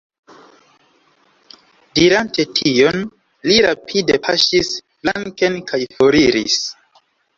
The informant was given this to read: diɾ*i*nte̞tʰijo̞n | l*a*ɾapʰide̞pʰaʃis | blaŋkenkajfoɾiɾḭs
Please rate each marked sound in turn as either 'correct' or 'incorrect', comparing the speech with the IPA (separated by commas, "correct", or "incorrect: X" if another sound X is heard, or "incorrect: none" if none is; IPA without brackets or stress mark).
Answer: incorrect: a, incorrect: i